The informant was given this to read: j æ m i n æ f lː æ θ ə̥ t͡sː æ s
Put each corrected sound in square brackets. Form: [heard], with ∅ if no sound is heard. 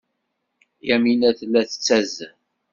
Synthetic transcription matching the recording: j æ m i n æ [θ] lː æ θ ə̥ t͡sː æ [z]